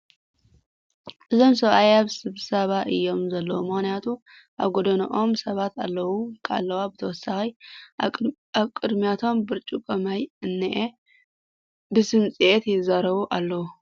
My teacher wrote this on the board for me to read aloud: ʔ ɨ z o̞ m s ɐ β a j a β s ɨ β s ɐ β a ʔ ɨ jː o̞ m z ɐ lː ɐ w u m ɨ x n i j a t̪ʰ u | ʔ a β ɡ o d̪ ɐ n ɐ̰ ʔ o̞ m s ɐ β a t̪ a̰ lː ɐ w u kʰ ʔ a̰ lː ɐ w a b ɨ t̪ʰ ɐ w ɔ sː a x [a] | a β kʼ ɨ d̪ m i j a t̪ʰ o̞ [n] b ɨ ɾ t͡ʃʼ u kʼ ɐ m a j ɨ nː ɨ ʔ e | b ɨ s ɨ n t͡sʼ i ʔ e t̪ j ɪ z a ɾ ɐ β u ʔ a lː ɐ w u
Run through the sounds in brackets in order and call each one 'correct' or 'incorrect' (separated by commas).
incorrect, incorrect